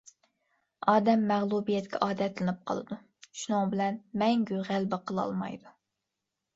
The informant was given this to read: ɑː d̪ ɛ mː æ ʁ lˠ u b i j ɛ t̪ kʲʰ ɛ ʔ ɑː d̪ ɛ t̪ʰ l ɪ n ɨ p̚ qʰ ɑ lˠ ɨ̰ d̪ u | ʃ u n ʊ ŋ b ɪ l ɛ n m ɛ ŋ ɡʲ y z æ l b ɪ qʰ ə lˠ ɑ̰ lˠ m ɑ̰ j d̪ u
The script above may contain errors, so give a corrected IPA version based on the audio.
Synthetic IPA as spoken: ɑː d̪ ɛ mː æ ʁ lˠ u b i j ɛ t̪ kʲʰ ɛ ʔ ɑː d̪ ɛ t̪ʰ l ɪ n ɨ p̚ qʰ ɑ lˠ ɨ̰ d̪ u | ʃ u n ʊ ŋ b ɪ l ɛ n m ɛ ŋ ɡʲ y ʁ æ l b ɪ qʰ ə lˠ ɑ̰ lˠ m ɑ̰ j d̪ u